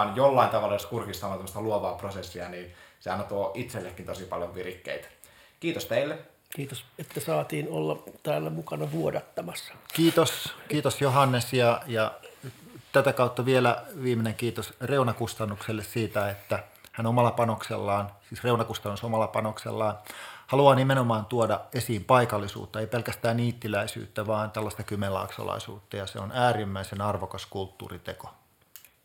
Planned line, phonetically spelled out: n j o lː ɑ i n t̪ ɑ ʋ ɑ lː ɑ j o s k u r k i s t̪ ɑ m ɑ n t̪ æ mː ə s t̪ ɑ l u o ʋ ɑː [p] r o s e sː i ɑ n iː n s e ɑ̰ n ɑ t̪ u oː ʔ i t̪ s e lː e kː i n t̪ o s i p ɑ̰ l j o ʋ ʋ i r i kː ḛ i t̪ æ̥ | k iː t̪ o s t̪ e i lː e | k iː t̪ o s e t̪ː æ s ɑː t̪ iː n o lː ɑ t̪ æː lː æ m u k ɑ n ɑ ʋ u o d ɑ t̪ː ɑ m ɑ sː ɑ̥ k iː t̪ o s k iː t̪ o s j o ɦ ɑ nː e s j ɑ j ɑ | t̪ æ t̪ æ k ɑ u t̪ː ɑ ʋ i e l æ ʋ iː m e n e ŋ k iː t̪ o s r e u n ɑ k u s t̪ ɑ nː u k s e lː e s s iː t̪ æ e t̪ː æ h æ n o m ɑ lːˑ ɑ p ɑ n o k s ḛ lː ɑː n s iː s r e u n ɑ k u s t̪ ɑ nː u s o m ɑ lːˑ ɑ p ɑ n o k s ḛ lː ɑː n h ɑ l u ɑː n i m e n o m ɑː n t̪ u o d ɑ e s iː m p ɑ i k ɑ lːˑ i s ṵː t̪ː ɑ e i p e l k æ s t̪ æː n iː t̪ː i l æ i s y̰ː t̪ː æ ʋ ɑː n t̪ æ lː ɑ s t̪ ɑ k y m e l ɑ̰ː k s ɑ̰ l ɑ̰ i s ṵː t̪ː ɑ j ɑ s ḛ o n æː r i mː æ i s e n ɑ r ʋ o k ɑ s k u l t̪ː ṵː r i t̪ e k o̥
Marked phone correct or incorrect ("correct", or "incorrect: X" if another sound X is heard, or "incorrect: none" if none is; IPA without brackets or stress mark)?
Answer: correct